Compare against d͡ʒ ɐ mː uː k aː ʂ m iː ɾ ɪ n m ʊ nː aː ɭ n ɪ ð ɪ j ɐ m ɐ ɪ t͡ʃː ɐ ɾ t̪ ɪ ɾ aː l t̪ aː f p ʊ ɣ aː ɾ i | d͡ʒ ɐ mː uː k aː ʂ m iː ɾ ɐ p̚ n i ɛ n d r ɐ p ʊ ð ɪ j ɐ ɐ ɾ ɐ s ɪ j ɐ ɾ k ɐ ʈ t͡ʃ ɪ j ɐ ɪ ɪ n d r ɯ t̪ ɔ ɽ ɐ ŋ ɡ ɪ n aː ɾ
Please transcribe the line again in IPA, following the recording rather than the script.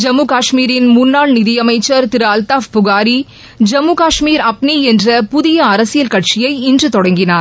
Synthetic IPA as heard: d͡ʒ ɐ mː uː k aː ʂ m iː ɾ ɪ n m ʊ nː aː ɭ n ɪ ð ɪ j ɐ m ɐ ɪ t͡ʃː ɐ ɾ t̪ ɪ ɾ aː l t̪ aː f p ʊ ɣ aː ɾ i | d͡ʒ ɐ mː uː k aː ʂ m iː ɾ ɐ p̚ n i ɛ n d r ɐ p ʊ ð ɪ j ɐ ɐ ɾ ɐ s ɪ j ɐ l k ɐ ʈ t͡ʃ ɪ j ɐ ɪ ɪ n d r ɯ t̪ ɔ ɽ ɐ ŋ ɡ ɪ n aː ɾ